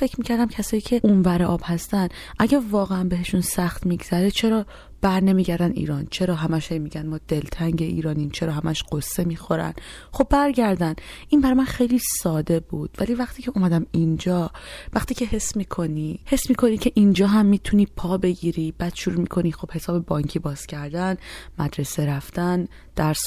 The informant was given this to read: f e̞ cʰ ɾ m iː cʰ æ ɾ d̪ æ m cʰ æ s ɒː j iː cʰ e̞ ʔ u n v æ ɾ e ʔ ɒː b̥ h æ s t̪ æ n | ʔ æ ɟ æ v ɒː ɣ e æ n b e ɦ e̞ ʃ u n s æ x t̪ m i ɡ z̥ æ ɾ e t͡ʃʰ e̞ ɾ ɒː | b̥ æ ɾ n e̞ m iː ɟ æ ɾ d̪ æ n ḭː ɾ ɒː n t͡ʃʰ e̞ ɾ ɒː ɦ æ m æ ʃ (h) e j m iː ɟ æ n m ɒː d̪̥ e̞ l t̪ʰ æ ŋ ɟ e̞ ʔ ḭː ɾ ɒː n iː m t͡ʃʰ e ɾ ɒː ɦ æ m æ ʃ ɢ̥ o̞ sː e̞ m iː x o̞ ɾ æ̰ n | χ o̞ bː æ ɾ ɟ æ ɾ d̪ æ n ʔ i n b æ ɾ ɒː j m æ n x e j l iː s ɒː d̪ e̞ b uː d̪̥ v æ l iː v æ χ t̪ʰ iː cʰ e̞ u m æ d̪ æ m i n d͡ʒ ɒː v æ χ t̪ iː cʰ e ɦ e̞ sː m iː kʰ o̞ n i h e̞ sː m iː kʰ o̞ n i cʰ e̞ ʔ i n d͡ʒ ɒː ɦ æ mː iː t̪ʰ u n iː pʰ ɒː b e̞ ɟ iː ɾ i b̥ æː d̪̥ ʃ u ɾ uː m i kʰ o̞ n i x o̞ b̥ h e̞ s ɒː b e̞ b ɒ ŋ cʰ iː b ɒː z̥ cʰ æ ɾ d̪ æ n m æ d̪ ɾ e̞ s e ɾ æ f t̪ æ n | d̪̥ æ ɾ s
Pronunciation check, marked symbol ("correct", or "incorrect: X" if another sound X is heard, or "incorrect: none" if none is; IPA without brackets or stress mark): correct